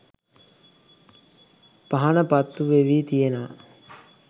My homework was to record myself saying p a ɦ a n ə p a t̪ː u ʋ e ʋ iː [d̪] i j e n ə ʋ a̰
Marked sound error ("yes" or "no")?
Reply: yes